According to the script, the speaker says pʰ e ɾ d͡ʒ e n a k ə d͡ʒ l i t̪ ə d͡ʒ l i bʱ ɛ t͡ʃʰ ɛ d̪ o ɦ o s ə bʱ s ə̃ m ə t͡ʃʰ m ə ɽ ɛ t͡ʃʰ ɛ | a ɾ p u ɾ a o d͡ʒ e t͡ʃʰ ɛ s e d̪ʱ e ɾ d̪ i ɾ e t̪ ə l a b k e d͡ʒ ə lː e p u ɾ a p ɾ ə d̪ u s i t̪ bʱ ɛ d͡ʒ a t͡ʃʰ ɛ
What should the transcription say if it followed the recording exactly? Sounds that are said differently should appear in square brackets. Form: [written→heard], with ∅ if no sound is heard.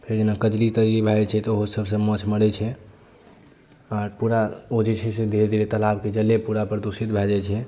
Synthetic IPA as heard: pʰ e ɾ d͡ʒ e n a k ə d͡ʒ l i t̪ ə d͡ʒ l i bʱ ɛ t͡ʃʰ ɛ [d̪→t̪] o ɦ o s ə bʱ s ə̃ m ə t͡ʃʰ m ə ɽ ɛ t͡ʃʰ ɛ | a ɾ p u ɾ a o d͡ʒ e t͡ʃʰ ɛ s e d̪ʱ e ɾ d̪ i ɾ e t̪ ə l a b k e d͡ʒ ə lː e p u ɾ a p ɾ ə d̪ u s i t̪ bʱ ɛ d͡ʒ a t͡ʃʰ ɛ